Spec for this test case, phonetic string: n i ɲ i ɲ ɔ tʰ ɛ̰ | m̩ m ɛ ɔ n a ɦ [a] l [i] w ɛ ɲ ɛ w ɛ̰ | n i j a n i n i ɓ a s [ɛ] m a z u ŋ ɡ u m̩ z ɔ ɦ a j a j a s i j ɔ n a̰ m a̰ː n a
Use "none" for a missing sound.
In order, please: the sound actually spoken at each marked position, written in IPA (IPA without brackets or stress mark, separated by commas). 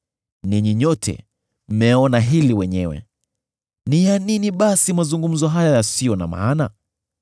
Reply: i, i, i